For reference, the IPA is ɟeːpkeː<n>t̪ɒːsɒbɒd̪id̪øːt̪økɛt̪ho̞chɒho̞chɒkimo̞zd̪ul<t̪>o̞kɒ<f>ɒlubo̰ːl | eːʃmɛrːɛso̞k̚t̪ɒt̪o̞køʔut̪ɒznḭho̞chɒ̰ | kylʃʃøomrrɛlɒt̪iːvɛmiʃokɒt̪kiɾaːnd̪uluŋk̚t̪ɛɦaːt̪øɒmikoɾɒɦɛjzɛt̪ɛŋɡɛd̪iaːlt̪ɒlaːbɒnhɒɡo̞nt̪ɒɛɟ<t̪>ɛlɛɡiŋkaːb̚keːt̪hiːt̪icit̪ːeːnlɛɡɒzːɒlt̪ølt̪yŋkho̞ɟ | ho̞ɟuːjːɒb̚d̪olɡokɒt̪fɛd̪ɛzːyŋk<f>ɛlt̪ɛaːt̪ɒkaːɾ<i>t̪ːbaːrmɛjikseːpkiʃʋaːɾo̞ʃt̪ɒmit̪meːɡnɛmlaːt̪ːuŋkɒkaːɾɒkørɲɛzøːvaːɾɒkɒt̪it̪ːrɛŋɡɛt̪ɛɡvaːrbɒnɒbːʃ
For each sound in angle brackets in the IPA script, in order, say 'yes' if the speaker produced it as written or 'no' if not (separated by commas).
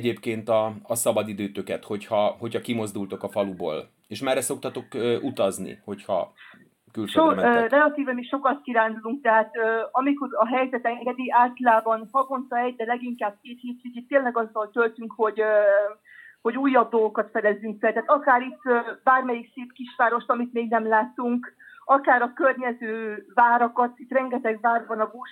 yes, yes, yes, no, yes, yes